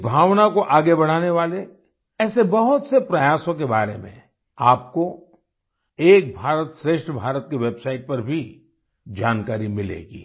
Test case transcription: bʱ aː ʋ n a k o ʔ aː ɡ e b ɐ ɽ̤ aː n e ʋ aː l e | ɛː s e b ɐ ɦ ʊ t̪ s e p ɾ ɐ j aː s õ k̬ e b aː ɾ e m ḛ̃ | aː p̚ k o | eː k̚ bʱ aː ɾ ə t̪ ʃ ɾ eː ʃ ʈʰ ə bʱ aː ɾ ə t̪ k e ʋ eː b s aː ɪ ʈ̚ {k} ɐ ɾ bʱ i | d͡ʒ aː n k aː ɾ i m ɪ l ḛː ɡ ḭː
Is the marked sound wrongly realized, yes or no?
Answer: yes